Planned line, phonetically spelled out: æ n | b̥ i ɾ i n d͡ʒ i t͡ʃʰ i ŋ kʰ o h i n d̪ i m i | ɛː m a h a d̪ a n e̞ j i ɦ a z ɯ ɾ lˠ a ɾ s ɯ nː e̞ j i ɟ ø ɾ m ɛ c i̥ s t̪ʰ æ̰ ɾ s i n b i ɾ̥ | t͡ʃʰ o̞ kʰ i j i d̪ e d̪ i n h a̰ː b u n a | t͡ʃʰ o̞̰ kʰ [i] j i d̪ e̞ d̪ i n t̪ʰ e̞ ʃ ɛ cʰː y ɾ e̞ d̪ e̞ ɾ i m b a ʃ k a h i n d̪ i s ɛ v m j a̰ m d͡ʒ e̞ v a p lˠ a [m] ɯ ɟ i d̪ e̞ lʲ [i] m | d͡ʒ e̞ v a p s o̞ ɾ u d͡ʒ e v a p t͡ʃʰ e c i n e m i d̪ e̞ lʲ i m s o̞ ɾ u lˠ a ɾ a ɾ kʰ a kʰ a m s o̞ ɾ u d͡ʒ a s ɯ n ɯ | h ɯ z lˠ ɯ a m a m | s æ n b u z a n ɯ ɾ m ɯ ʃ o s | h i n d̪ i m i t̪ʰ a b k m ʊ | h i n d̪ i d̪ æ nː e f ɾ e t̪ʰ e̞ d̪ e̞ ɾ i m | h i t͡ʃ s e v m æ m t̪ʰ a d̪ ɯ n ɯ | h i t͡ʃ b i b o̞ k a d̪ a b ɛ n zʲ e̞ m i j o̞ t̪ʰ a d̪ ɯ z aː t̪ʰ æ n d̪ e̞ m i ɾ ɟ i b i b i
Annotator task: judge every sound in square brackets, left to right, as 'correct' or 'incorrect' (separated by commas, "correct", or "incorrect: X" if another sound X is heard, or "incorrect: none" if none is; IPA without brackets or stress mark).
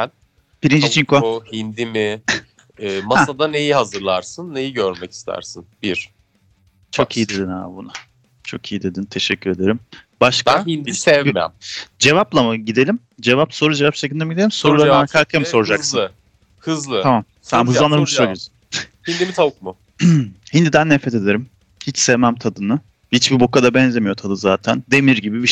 correct, correct, correct